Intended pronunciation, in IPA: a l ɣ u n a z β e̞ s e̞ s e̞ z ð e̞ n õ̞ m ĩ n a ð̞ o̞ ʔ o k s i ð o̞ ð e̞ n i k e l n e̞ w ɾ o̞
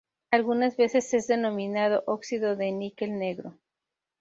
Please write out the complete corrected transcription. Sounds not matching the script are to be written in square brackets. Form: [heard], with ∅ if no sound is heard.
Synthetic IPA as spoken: a l ɣ u n a z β e̞ s e̞ s e̞ z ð e̞ n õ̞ m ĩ n a ð̞ o̞ ʔ o k s i ð o̞ ð e̞ n i k e l n e̞ [ɣ] ɾ o̞

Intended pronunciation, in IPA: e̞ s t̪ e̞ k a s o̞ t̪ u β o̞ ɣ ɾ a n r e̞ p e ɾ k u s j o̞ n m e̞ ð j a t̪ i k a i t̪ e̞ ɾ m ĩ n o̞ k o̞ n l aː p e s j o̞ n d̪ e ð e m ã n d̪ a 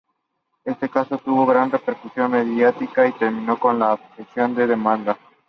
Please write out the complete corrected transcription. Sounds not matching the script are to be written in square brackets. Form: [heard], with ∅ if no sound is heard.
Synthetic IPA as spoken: e̞ s t̪ e̞ k a s o̞ t̪ u β o̞ ɣ ɾ a n r e̞ p e ɾ k u s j o̞ n m e̞ ð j a t̪ i k a i t̪ e̞ ɾ m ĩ n o̞ k o̞ n l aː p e s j o̞ n d̪ e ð e m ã n d̪ a

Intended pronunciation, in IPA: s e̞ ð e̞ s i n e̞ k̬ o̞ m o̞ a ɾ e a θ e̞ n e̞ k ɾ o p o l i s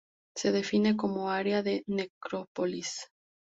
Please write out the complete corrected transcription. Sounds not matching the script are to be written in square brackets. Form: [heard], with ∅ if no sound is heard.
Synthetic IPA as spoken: s e̞ ð e̞ [f] i n e̞ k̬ o̞ m o̞ a ɾ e a [ð] e̞ n e̞ k ɾ o p o l i s

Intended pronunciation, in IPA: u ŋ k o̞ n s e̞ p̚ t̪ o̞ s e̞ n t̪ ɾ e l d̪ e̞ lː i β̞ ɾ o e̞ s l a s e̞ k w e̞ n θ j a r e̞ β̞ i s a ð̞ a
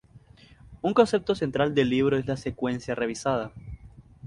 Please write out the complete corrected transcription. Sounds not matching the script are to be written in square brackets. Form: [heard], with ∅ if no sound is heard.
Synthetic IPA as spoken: u ŋ k o̞ n s e̞ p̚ t̪ o̞ s e̞ n t̪ ɾ [a] l d̪ e̞ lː i β̞ ɾ o e̞ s l a s e̞ k w e̞ n [s] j a r e̞ β̞ i s a ð̞ a

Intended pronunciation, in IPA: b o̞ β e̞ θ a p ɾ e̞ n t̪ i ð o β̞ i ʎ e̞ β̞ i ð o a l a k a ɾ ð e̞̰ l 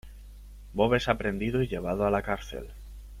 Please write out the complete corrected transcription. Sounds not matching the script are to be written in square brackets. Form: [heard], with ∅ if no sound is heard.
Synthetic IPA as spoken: b o̞ β e̞ [s] a p ɾ e̞ n [d̪] i ð o [∅] i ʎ e̞ β̞ [a] ð o a l a k a ɾ [θ] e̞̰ l

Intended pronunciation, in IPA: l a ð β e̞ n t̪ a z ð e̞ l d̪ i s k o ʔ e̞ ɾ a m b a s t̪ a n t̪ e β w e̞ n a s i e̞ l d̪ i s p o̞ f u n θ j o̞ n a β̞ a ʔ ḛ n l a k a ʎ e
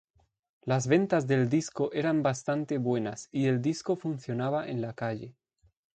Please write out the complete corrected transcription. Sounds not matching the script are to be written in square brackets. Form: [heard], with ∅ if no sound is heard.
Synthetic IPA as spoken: l a [z] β e̞ n t̪ a z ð e̞ l d̪ i s k o ʔ e̞ ɾ a m b a s t̪ a n t̪ e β w e̞ n a s i e̞ l d̪ i s [k] o̞ f u n θ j o̞ n a β̞ a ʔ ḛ n l a k a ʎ e

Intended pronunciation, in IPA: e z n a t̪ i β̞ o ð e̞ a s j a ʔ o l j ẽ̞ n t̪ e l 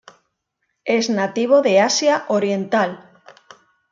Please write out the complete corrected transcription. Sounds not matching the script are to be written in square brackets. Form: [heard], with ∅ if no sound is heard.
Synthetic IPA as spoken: e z n a t̪ i β̞ o ð e̞ a s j a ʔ o [ɾ] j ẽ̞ n t̪ [a] l

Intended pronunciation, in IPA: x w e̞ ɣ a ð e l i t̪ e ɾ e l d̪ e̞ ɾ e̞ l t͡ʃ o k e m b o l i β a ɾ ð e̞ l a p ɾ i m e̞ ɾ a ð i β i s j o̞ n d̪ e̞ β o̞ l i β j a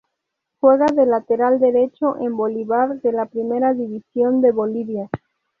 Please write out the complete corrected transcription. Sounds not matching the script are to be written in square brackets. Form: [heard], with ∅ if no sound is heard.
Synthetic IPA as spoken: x w e̞ ɣ a ð e l [a] t̪ e ɾ [a] l d̪ e̞ ɾ e̞ [∅] t͡ʃ o [ʔ] e m b o l i β a ɾ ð e̞ l a p ɾ i m e̞ ɾ a ð i β i s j o̞ n d̪ e̞ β o̞ l i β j a

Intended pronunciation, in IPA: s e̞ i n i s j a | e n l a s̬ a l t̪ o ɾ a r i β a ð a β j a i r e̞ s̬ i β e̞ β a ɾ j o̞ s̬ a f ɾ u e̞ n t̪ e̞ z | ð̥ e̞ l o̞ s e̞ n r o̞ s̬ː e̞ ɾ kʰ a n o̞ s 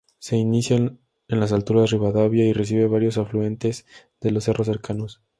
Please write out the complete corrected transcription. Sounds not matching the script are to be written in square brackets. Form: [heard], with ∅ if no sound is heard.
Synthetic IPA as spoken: s e̞ i n i s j a | e n l a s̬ a l t̪ [u] ɾ a r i β a ð a β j a i r e̞ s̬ i β e̞ β a ɾ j o̞ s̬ a f [l] u e̞ n t̪ e̞ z | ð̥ e̞ l o̞ s e̞ [∅] r o̞ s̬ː e̞ ɾ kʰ a n o̞ s

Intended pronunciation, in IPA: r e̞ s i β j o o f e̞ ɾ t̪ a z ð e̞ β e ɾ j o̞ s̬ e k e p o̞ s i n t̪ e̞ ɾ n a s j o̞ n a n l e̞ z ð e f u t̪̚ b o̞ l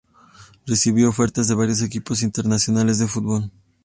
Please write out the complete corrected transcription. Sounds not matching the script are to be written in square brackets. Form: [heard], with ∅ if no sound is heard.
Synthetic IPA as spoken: r e̞ s i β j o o f e̞ ɾ t̪ a z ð e̞ β [a] ɾ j o̞ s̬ e k [i] p o̞ s i n t̪ e̞ ɾ n a s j o̞ n a [∅] l e̞ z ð e f u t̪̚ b o̞ l

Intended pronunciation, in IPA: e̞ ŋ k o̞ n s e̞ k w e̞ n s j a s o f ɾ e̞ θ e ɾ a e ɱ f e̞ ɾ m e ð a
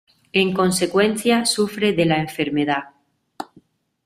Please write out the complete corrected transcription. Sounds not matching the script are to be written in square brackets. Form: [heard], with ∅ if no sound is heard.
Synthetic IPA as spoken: e̞ ŋ k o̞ n s e̞ k w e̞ n [θ] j a s [u] f ɾ e̞ [ð] e [l] a e ɱ f e̞ ɾ m e ð a

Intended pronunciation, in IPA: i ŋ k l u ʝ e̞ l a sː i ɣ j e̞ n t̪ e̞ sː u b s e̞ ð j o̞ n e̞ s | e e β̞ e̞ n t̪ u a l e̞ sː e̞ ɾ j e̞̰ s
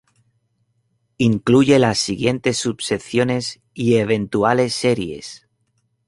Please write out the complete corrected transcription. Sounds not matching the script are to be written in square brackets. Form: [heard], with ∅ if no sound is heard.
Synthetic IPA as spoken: i ŋ k l u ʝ e̞ l a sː i ɣ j e̞ n t̪ e̞ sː u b s e̞ [θ] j o̞ n e̞ s | [i] e β̞ e̞ n t̪ u a l e̞ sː e̞ ɾ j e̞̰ s

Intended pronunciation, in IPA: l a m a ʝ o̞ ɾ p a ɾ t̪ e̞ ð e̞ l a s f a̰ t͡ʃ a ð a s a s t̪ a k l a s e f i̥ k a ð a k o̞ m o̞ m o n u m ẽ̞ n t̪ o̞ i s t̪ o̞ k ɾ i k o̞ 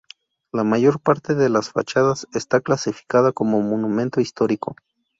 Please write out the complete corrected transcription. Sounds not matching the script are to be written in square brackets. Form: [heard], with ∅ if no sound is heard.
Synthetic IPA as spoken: l a m a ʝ o̞ ɾ p a ɾ t̪ e̞ ð e̞ l a s f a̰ t͡ʃ a ð a s [e] s t̪ a k l a s [i] f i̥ k a ð a k o̞ m o̞ m o n u m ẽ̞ n t̪ o̞ i s t̪ o̞ [∅] ɾ i k o̞

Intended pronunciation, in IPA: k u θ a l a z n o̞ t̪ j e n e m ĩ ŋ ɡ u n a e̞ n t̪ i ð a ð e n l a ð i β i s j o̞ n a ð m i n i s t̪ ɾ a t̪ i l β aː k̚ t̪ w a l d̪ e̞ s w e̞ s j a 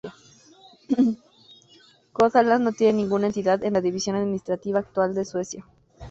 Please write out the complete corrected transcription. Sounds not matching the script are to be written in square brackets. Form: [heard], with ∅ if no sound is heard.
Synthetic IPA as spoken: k [o] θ a l a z n o̞ t̪ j e n e [n] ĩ ŋ ɡ u n a e̞ n t̪ i ð a ð e n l a ð i β i s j o̞ n a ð m i n i s t̪ ɾ a t̪ i [∅] β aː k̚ t̪ w a l d̪ e̞ s w e̞ s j a

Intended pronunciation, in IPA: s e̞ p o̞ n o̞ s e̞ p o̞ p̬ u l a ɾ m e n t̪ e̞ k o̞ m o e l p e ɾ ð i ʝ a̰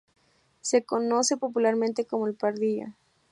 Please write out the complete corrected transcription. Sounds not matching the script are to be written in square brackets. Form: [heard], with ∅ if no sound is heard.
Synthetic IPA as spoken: s e̞ [k] o̞ n o̞ s e̞ p o̞ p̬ u l a ɾ m [ẽ] n t̪ e̞ k o̞ m o e l p [a] ɾ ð i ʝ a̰

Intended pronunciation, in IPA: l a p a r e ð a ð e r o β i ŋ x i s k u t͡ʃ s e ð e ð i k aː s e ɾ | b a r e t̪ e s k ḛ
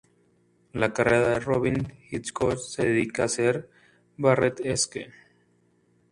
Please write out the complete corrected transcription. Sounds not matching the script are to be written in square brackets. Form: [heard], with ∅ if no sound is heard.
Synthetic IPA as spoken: l a [k] a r e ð a ð e r o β i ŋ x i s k [o] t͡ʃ s e ð e ð i k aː s e ɾ | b a r e t̪ e s k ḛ

